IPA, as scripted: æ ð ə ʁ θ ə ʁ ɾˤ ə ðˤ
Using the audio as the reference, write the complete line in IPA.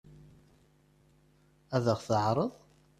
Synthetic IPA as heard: æ ð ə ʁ θ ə ʕ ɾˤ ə ðˤ